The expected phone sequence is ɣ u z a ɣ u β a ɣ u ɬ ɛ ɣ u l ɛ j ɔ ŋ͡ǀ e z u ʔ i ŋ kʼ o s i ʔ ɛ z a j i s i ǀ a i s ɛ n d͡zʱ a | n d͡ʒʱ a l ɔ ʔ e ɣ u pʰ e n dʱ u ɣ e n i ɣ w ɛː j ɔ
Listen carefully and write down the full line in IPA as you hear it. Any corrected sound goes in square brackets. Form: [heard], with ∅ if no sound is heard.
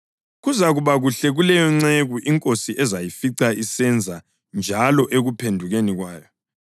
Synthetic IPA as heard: ɣ u z a ɣ u β a ɣ u ɬ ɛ ɣ u l ɛ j ɔ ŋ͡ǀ e [ɣ] u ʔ i ŋ kʼ o s i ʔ ɛ z a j i [f] i ǀ a i s ɛ n d͡zʱ a | n d͡ʒʱ a l ɔ ʔ e ɣ u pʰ e n dʱ u ɣ e n i ɣ w [aː] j ɔ